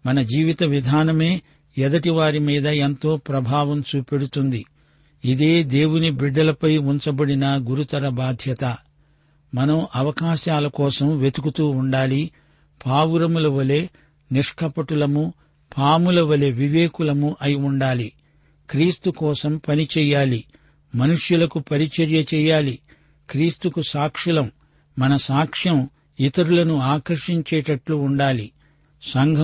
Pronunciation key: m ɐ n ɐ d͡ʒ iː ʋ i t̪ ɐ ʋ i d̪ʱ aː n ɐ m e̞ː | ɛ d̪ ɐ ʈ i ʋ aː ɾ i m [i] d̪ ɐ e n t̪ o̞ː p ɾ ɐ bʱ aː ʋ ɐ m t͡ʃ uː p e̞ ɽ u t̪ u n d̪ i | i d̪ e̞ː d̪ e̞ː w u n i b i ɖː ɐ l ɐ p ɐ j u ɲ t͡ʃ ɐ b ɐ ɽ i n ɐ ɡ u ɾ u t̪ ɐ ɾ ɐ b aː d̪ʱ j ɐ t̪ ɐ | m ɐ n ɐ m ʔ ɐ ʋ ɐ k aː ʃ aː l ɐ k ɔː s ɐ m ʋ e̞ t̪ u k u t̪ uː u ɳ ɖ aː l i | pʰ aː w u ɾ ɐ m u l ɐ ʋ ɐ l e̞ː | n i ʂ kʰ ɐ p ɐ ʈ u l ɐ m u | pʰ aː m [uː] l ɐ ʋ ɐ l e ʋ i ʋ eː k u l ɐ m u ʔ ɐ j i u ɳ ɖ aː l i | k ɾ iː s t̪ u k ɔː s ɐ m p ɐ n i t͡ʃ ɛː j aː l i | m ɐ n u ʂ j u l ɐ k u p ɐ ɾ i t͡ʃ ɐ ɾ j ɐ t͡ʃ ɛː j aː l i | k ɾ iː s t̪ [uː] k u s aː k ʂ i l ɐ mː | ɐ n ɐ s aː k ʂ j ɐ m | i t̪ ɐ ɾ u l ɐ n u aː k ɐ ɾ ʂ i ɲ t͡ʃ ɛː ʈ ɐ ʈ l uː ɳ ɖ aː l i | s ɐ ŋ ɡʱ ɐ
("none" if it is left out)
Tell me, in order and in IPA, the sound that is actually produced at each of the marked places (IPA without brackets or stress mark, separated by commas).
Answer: iː, u, u